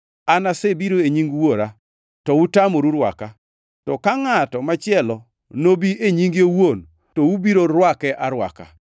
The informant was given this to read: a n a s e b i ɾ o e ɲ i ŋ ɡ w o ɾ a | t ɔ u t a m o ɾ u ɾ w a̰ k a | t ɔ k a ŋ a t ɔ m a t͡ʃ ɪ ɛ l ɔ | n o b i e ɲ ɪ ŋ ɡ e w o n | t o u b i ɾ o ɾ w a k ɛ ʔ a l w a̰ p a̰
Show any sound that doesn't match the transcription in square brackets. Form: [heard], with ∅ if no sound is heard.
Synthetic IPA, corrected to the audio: a n a s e b i ɾ o e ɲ i ŋ ɡ w o ɾ a | t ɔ u t a m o ɾ u ɾ w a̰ k a | t ɔ k a ŋ a t ɔ m a t͡ʃ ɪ ɛ l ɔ | n o b i e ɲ [i] ŋ ɡ e w o n | t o u b i ɾ o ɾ w a k ɛ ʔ a [ɾ] w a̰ [k] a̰